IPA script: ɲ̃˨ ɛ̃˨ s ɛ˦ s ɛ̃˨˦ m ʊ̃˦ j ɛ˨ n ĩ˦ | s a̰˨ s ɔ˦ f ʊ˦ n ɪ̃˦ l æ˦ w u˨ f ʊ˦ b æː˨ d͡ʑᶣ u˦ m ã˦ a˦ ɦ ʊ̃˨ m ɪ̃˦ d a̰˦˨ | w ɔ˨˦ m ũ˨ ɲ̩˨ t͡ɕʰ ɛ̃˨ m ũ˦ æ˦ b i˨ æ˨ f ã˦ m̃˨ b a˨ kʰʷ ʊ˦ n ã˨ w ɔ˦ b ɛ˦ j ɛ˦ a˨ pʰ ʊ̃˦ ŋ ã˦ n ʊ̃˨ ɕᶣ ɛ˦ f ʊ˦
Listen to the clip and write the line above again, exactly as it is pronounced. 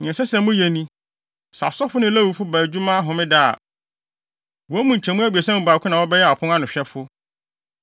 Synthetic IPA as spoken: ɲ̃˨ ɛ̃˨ s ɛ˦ s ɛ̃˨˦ m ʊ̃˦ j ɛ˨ n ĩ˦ | s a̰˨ s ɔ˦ f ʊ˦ n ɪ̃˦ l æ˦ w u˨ f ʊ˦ b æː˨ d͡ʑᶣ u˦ m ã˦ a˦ ɦ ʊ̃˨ m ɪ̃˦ d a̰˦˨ | w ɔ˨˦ m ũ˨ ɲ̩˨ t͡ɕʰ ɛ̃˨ m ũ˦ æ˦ b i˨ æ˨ s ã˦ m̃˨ b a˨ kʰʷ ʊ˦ n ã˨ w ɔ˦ b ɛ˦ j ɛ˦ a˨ pʰ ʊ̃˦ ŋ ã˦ n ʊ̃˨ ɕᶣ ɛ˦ f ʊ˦